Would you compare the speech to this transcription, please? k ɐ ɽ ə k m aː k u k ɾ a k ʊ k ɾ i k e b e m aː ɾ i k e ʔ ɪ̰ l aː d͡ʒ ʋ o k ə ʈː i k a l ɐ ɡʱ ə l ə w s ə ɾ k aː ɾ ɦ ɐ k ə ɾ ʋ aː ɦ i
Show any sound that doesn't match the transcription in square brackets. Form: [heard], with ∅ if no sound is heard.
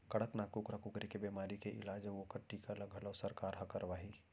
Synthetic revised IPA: k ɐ ɽ ə k [n] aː k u k ɾ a k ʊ k ɾ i k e b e m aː ɾ i k e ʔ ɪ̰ l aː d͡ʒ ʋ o k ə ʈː i k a l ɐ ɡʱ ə l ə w s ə ɾ k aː ɾ ɦ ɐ k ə ɾ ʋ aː ɦ i